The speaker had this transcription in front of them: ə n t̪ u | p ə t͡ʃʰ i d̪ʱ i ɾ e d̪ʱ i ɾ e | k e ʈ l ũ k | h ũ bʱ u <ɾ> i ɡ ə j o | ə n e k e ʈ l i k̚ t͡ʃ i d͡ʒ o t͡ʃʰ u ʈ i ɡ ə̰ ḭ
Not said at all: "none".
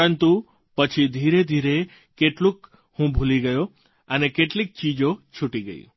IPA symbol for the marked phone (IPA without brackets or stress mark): l